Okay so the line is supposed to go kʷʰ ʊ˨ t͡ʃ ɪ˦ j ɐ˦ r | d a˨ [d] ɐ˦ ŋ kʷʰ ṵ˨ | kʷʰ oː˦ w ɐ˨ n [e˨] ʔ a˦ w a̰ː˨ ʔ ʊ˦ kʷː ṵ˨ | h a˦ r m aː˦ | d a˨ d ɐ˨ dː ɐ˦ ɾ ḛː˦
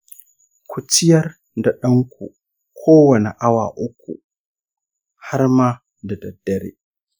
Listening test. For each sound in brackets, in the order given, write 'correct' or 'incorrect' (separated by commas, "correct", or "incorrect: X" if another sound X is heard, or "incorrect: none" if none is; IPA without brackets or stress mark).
incorrect: ɗ, correct